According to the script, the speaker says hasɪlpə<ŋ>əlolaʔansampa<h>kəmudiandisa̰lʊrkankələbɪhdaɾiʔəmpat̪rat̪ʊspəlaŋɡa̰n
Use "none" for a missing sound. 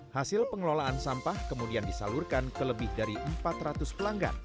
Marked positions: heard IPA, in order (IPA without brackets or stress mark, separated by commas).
ŋ, h